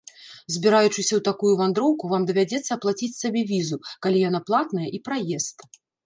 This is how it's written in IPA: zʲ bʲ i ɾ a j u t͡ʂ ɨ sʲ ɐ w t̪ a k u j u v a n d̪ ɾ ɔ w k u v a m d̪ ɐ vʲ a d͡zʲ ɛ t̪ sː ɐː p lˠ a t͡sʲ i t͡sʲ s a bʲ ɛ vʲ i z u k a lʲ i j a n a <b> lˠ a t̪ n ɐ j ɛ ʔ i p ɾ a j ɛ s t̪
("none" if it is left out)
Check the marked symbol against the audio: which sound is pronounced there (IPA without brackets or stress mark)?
p